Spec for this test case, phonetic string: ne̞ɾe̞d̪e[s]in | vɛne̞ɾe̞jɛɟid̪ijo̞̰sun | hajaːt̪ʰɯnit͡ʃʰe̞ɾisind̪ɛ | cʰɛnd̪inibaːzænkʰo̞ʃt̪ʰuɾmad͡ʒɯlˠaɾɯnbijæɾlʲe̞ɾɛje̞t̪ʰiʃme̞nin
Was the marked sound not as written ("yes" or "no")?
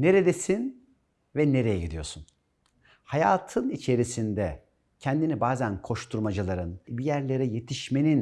no